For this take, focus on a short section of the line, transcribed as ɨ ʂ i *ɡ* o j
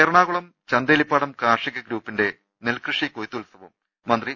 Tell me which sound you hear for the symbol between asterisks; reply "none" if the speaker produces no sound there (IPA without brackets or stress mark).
k